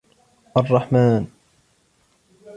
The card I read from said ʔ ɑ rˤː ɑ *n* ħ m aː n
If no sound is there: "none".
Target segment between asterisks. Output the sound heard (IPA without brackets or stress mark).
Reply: none